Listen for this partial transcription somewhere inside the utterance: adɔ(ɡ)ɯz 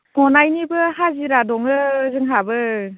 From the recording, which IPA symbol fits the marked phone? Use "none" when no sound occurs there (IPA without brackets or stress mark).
ŋ